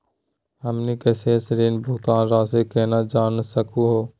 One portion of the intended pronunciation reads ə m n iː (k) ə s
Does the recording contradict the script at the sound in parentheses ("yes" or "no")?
no